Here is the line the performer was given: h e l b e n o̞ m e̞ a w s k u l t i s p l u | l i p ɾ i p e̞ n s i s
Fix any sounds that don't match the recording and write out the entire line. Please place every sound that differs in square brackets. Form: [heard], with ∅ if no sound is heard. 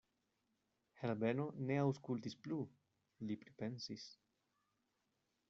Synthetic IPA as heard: h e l b e n o̞ [n] e̞ a w s k u l t i s p l u | l i p ɾ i p e̞ n s i s